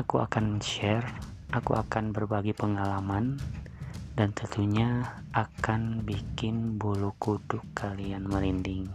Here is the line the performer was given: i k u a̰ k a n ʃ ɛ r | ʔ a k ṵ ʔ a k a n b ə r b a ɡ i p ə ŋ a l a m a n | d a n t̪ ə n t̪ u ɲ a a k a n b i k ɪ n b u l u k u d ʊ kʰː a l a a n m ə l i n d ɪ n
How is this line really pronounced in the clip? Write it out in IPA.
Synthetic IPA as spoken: a k u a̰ k a n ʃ ɛ r | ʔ a k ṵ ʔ a k a n b ə r b a ɡ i p ə ŋ a l a m a n | d a n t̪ ə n t̪ u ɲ a a k a n b i k ɪ n b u l u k u d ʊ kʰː a l i a n m ə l i n d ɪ ŋ